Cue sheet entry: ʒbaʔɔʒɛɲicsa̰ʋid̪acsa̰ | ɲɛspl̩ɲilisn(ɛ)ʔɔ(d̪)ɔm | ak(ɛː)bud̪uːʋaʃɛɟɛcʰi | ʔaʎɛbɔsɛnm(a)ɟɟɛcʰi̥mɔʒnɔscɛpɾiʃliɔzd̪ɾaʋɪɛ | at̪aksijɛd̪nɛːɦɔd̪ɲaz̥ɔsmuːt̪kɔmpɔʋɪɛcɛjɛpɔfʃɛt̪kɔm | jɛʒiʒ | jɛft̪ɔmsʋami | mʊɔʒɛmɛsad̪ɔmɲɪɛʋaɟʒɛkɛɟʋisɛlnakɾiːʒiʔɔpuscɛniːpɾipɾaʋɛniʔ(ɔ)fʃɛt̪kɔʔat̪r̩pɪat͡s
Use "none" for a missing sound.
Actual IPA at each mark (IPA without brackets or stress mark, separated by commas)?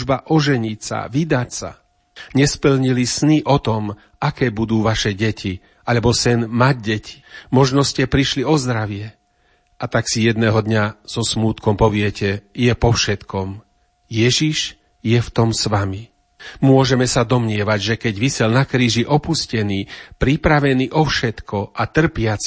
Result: i, t̪, ɛː, a, ɔ